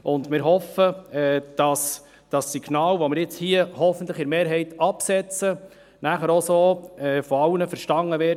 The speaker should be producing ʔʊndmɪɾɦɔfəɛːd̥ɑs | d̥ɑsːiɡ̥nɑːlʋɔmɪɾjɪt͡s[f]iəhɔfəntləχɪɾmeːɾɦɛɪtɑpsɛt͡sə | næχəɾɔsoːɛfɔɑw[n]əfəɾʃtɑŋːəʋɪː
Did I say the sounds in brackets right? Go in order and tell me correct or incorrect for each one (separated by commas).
incorrect, correct